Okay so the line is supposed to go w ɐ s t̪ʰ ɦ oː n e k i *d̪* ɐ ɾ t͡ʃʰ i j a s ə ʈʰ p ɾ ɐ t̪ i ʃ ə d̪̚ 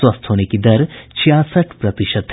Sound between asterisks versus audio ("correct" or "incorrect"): correct